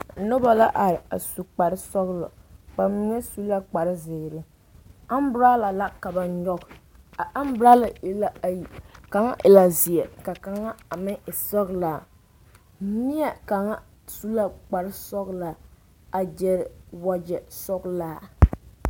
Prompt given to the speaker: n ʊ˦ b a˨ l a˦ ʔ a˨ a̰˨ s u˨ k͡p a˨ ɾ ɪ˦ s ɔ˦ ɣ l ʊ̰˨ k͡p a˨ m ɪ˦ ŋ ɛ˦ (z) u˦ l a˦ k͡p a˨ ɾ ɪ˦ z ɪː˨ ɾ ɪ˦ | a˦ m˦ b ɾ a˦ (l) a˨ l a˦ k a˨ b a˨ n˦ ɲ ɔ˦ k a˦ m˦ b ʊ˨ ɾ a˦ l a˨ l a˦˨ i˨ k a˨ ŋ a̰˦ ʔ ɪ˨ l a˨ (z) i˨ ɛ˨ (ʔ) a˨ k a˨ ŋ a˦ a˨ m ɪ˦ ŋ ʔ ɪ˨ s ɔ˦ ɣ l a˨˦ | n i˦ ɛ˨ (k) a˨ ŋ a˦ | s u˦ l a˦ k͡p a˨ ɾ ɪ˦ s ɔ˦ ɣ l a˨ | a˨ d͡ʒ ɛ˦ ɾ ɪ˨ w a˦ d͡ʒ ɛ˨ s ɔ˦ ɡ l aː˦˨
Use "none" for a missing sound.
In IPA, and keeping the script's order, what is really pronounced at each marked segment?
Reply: s, l, z, k, k

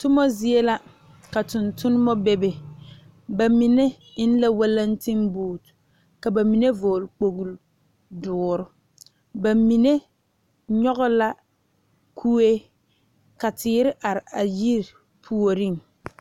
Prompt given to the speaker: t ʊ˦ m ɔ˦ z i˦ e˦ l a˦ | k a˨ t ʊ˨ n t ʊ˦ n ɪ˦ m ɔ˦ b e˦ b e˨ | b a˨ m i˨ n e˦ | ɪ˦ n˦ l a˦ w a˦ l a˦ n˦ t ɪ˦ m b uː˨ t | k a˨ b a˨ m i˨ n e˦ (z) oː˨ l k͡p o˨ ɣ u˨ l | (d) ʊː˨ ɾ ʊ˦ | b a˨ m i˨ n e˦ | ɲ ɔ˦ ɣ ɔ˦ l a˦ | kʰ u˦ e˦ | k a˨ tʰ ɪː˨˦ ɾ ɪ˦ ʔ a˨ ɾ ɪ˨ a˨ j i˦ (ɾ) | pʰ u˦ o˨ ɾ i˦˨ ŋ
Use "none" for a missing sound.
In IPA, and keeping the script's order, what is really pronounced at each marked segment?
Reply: v, d, ɾ

